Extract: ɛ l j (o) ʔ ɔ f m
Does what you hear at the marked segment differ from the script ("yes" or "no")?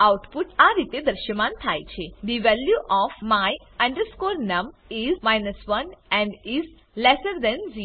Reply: yes